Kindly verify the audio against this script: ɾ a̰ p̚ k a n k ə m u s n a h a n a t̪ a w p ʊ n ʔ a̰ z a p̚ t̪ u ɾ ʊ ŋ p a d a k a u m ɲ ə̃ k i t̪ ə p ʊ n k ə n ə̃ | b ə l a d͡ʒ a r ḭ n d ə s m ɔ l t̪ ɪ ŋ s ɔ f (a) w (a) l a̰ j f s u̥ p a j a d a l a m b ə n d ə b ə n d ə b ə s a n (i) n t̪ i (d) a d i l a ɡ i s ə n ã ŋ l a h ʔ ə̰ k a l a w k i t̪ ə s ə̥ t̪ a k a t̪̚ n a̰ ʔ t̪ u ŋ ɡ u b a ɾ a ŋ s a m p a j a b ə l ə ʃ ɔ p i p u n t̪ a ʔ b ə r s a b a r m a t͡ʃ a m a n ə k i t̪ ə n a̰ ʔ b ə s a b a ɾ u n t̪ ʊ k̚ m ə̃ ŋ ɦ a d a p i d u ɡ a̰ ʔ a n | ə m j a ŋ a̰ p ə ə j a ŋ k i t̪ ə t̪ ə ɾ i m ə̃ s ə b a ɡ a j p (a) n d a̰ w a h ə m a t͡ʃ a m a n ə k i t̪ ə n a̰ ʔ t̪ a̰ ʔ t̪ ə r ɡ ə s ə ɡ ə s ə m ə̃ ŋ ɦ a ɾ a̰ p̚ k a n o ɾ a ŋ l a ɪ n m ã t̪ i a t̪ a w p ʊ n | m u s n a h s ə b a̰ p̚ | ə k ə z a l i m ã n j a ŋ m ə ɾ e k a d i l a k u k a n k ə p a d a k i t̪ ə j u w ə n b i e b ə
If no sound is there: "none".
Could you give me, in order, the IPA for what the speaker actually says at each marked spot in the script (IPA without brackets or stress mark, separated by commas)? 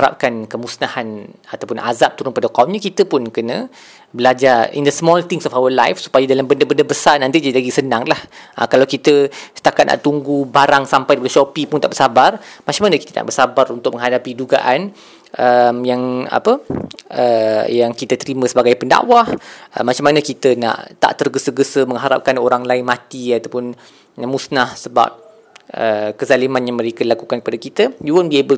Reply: a, ə, a, d͡ʒ, ə